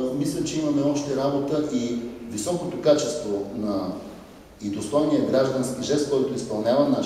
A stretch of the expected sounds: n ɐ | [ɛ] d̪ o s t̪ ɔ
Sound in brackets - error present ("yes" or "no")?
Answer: yes